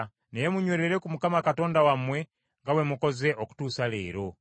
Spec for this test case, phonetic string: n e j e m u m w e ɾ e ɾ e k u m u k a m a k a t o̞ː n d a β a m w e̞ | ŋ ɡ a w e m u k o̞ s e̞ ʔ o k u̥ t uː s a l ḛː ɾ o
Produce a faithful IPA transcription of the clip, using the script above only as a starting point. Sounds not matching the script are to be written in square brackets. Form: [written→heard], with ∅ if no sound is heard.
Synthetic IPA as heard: n e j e m u [m→ɲ] w e ɾ e ɾ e k u m u k a m a k a t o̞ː n d a [β→w] a m w e̞ | ŋ ɡ a w e m u k o̞ [s→z] e̞ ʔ o k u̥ t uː s a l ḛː ɾ o